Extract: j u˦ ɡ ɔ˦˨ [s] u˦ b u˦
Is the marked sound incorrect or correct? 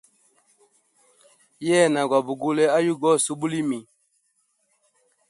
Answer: correct